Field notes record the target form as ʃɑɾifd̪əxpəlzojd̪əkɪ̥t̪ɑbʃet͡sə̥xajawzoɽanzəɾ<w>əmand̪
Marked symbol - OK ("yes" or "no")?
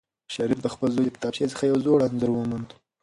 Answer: yes